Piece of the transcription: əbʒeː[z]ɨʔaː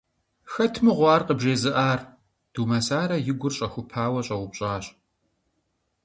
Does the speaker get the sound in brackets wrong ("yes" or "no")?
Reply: no